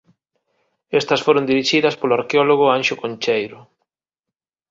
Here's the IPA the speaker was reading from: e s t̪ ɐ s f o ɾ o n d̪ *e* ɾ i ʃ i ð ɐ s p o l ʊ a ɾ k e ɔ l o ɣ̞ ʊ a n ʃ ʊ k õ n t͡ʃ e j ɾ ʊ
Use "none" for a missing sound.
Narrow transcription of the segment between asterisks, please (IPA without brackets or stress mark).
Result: i